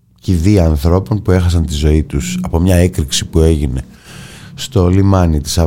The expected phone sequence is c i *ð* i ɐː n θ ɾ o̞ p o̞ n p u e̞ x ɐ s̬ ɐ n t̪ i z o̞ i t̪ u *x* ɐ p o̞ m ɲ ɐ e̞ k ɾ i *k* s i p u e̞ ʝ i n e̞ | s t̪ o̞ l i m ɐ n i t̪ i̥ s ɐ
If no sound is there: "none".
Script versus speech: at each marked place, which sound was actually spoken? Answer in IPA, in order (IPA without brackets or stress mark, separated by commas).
ð, s, k